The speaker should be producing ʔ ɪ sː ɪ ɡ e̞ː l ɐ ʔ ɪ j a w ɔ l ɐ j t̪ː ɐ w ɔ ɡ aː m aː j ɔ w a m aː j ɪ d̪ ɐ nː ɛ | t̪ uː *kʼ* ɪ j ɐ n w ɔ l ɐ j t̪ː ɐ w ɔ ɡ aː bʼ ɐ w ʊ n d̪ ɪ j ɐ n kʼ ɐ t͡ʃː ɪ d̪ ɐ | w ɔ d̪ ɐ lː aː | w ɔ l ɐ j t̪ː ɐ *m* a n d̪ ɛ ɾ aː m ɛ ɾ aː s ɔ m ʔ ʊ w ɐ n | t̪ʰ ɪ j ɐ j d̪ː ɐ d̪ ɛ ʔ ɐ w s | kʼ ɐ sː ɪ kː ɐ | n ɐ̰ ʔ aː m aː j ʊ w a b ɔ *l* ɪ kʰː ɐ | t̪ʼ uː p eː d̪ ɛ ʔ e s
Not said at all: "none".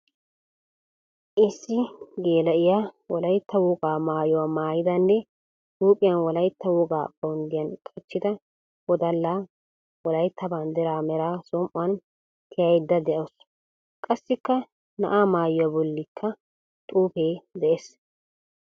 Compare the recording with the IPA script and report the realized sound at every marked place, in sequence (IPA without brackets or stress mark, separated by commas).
pʼ, b, lː